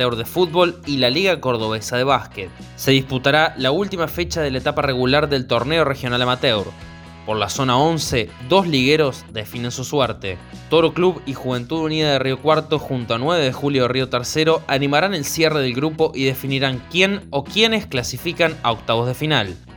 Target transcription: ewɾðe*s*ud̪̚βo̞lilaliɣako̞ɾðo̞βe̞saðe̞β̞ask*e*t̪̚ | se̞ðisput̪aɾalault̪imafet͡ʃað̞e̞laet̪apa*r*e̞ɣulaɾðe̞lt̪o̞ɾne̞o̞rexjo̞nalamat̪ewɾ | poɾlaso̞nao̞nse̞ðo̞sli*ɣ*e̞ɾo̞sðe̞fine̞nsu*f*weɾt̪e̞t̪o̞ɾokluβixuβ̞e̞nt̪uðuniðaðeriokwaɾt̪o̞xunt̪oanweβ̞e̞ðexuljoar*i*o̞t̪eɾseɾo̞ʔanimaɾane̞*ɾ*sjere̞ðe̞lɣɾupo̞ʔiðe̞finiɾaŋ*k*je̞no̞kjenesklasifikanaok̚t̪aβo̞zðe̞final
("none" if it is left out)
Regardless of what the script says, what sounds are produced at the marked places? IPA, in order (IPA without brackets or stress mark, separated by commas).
f, e, r, ɣ, s, i, l, k